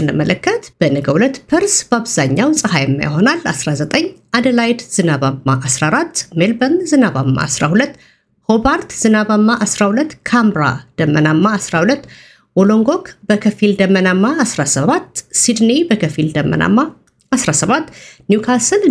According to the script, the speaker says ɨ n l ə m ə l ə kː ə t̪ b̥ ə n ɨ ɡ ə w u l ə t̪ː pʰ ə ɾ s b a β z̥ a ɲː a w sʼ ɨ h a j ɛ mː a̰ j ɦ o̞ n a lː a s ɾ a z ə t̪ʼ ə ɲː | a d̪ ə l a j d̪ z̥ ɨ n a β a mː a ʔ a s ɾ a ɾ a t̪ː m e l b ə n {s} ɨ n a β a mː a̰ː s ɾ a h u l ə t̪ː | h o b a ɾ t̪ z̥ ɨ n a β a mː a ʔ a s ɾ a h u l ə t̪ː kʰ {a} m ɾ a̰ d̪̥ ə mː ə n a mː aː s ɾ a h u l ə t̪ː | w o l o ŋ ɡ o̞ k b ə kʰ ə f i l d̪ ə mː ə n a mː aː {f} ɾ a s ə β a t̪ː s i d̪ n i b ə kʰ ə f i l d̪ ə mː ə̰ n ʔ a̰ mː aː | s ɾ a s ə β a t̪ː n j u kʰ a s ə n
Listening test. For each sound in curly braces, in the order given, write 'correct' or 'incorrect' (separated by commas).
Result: incorrect, correct, incorrect